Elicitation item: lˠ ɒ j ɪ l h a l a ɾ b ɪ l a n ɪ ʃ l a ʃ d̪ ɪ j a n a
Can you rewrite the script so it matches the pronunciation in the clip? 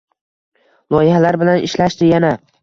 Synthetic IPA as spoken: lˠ ɒ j ɪ h a l a ɾ b ɪ l a n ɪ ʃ l a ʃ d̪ ɪ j a n a